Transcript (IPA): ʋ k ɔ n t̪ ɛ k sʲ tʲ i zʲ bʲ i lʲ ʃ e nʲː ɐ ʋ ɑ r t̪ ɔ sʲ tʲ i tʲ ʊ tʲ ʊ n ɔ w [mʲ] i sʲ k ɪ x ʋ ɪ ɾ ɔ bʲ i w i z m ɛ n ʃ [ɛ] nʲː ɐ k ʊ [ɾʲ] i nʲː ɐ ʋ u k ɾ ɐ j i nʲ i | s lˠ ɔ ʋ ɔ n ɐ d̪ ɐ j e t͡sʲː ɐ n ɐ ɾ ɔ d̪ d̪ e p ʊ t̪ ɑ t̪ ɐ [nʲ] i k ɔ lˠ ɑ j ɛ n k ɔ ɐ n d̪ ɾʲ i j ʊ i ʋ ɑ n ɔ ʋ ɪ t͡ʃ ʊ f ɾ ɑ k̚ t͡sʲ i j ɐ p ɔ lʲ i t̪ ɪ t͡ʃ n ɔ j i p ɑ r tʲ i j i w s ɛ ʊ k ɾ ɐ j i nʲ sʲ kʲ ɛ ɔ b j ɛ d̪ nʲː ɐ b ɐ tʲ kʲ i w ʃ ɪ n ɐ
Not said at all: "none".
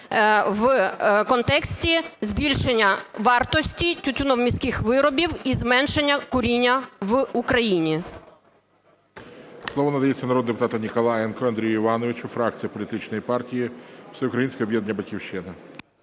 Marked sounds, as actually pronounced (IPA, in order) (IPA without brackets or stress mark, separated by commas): mʲ, e, ɾʲ, nʲ